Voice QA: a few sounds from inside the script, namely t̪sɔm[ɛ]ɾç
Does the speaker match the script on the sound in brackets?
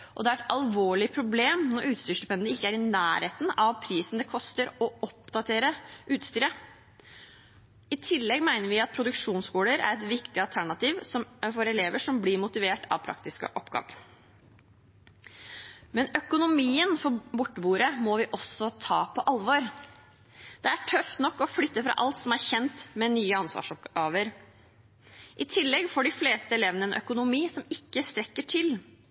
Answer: no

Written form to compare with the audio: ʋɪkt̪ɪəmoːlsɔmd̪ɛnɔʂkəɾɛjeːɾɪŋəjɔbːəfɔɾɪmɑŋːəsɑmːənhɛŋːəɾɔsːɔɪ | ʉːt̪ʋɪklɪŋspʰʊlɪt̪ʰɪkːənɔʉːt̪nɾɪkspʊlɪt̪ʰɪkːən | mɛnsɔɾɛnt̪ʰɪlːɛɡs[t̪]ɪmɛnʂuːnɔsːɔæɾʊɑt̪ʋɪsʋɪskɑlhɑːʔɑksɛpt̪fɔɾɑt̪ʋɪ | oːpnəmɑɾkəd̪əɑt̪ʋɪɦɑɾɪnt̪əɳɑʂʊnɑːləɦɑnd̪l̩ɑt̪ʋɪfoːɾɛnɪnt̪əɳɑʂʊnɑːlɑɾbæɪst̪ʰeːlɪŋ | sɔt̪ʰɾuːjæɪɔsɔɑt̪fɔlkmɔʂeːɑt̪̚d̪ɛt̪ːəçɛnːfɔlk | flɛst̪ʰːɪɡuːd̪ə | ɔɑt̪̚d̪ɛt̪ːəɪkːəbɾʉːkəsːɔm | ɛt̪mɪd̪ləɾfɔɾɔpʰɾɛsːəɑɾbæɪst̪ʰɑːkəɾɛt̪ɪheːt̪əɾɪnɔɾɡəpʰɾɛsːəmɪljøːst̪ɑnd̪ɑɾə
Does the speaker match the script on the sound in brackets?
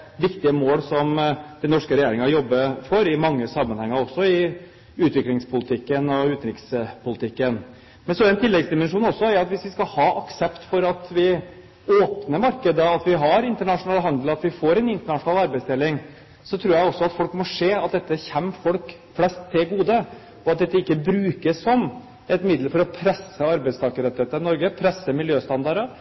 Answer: no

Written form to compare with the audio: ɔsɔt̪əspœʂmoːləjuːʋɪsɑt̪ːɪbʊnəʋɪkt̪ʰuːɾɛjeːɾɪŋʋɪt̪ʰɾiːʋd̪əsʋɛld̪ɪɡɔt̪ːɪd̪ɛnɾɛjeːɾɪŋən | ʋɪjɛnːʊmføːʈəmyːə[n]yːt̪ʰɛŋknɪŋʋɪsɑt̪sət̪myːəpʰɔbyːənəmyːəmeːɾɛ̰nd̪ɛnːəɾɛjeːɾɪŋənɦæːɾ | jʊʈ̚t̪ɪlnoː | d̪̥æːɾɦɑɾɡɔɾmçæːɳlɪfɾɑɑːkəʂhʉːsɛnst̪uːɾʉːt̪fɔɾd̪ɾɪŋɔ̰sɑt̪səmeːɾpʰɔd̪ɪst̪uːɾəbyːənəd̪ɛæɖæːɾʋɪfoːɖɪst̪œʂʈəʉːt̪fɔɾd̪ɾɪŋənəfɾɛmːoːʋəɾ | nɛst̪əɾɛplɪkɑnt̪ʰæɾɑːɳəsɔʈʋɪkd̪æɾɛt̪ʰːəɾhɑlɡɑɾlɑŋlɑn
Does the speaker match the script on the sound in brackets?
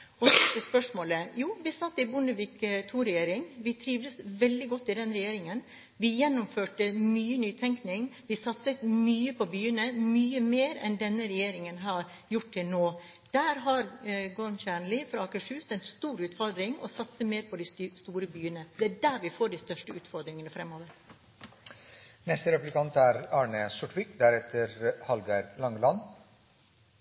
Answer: yes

